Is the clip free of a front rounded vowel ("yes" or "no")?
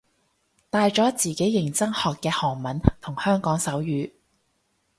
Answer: no